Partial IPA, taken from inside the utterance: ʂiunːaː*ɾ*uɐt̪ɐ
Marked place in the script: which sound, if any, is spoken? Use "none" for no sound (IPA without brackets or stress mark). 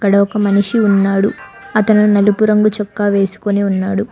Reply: ɽ